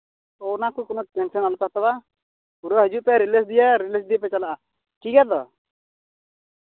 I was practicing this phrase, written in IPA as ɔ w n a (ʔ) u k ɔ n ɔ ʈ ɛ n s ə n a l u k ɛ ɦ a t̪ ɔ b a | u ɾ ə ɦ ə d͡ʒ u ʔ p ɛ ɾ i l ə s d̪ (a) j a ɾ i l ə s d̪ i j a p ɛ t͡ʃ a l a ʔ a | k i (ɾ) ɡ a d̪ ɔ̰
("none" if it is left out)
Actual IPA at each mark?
k, i, none

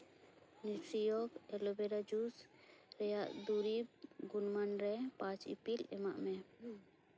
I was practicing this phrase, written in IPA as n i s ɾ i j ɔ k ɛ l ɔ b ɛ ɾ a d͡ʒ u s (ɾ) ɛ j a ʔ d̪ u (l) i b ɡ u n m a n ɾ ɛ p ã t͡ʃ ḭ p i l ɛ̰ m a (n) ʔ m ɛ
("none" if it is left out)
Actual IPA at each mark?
ɾ, ɾ, none

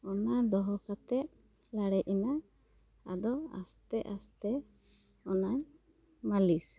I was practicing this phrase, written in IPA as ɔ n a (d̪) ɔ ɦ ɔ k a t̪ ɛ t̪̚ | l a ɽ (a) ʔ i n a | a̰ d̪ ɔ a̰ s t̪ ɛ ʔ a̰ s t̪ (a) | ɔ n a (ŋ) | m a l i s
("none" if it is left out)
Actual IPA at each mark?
d̪, ɛ, ɛ, ɲ

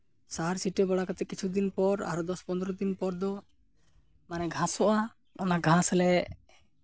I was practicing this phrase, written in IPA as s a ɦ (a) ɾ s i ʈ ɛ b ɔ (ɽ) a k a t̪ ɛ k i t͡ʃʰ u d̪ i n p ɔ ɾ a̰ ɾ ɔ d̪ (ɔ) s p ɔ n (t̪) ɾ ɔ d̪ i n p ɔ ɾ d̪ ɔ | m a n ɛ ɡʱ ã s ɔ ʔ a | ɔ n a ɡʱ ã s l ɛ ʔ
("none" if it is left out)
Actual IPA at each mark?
a, ɽ, ɔ, d̪

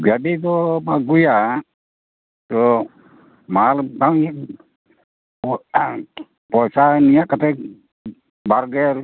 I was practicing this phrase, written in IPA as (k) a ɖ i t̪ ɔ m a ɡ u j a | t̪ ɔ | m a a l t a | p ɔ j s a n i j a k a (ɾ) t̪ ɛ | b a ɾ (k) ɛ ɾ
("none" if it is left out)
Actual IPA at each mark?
ɡ, none, ɡ

